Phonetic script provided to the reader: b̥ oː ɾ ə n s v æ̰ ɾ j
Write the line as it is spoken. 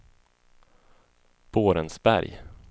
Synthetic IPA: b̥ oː ɾ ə n s b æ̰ ɾ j